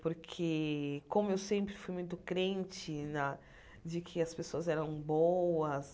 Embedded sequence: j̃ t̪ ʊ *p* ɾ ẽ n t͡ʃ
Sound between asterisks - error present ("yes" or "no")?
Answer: yes